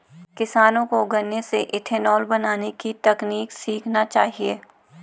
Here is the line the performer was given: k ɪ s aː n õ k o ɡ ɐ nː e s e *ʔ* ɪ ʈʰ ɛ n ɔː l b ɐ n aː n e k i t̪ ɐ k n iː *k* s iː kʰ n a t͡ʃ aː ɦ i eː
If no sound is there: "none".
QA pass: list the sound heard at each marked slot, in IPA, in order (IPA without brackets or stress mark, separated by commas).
ʔ, k